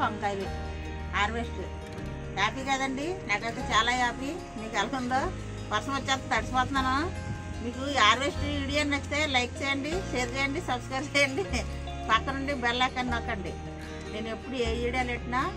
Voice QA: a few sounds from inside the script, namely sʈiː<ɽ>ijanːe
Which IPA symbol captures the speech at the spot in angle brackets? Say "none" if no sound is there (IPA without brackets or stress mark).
ɽ